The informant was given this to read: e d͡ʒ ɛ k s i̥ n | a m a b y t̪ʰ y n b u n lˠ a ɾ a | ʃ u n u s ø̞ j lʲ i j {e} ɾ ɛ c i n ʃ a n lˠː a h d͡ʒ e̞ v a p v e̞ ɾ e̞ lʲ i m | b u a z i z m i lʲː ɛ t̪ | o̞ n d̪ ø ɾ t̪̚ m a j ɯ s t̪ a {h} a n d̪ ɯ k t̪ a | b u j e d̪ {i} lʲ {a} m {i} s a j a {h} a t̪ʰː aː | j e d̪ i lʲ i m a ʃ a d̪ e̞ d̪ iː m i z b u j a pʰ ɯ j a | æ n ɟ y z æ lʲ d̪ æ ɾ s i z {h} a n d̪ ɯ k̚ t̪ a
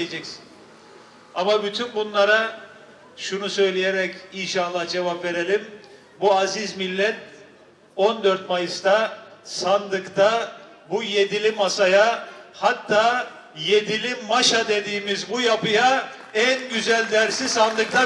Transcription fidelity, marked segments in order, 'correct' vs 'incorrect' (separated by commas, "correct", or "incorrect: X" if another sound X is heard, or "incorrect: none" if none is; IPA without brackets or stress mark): correct, incorrect: s, correct, incorrect: i, incorrect: a, correct, incorrect: s